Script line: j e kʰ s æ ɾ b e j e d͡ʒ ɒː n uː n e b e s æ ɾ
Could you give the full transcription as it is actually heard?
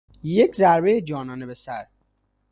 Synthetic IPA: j e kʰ z æ ɾ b e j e d͡ʒ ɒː n ɒː n e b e s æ ɾ